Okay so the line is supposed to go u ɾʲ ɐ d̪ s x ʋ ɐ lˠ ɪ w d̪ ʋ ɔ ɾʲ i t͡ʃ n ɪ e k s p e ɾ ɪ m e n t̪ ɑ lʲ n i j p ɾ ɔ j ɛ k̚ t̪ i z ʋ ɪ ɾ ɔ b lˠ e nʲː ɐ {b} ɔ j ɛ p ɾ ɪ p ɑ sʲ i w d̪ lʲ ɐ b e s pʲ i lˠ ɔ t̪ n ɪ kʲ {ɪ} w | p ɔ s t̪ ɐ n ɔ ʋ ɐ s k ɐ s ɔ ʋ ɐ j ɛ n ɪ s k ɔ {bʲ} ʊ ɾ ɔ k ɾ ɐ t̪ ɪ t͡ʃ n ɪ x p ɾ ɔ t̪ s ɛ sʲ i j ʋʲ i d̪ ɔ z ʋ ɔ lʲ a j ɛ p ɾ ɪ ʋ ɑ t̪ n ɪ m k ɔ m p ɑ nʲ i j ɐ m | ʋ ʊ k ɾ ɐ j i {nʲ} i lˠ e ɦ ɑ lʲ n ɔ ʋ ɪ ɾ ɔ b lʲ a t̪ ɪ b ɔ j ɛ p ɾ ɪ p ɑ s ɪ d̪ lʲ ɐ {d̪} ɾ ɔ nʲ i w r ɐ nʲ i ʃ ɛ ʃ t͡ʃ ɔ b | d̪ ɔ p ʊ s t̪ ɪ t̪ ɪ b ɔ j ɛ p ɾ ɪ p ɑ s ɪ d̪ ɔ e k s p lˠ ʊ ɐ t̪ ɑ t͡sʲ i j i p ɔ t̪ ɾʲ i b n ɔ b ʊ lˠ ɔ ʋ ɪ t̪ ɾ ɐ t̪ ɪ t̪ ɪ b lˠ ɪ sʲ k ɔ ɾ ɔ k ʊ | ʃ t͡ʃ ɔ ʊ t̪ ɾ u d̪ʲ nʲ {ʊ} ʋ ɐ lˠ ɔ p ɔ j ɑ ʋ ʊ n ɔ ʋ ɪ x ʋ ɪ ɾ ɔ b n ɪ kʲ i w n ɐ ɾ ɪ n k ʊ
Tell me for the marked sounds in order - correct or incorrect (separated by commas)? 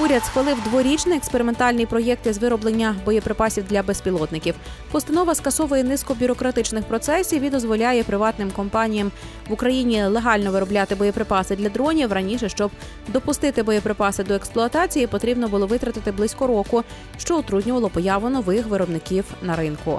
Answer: correct, incorrect, correct, correct, correct, correct